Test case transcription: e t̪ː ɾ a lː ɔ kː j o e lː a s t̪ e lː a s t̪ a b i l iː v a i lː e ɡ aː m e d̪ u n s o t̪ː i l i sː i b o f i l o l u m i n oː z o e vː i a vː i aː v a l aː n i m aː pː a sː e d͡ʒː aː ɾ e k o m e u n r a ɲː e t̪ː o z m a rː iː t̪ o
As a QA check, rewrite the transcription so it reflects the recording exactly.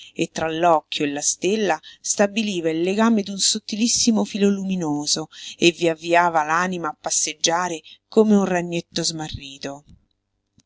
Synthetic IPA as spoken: e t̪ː ɾ a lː ɔ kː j o e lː a s t̪ e lː a s t̪ a b i l iː v a i lː e ɡ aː m e d̪ u n s o t̪ː i l i sː i m o f i l o l u m i n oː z o e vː i a vː i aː v a l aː n i m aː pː a sː e d͡ʒː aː ɾ e k o m e u n r a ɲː e t̪ː o z m a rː iː t̪ o